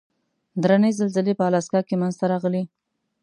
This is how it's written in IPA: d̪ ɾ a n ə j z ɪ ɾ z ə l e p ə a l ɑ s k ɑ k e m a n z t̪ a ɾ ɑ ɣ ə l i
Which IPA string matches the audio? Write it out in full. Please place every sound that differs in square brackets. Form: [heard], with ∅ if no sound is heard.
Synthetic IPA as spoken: d̪ ɾ a n ə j z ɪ [l] z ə l e p ə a l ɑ s k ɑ k e m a n z t̪ a ɾ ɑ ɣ ə l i